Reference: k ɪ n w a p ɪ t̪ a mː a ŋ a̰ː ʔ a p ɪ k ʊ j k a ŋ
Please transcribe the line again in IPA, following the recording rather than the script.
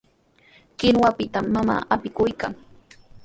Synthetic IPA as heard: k ɪ n w a p ɪ t̪ a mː a m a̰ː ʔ a p ɪ k ʊ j k a ŋ